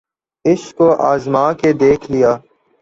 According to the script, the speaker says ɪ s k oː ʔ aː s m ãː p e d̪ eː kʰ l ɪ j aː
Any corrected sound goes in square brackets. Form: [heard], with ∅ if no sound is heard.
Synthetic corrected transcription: ɪ s k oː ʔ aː [z] m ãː [k] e d̪ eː kʰ l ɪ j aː

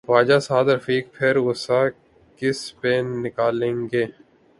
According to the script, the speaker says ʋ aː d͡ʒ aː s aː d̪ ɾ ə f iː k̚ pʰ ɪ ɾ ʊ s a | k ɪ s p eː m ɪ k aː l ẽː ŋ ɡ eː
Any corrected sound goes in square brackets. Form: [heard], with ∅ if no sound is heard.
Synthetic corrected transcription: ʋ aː d͡ʒ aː s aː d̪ ɾ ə f iː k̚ pʰ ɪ ɾ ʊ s a | k ɪ s p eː [n] ɪ k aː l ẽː ŋ ɡ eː

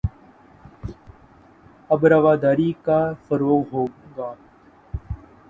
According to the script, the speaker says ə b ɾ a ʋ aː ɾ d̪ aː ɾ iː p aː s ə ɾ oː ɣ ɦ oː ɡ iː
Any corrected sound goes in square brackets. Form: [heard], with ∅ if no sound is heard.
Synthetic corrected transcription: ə b ɾ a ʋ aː [∅] d̪ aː ɾ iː [k] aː [f] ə ɾ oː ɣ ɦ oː ɡ [aː]

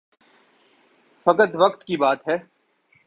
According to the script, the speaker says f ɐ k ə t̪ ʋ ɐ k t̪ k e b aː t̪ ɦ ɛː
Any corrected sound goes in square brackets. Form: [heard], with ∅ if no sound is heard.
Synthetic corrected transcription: f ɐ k ə t̪ ʋ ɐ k t̪ k [i] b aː t̪ ɦ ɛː

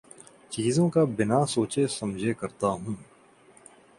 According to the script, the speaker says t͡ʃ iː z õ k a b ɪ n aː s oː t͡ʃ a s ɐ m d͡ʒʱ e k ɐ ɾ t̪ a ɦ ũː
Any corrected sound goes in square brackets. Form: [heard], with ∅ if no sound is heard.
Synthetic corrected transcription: t͡ʃ iː z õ k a b ɪ n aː s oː t͡ʃ [e] s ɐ m d͡ʒʱ e k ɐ ɾ t̪ a ɦ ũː

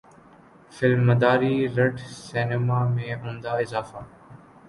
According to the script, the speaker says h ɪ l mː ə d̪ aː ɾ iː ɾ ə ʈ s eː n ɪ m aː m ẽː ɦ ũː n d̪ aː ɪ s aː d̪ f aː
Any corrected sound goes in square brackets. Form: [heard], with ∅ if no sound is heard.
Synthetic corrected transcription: [f] ɪ l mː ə d̪ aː ɾ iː ɾ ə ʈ s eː n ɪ m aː m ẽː ɦ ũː n d̪ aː ɪ [z] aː [∅] f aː

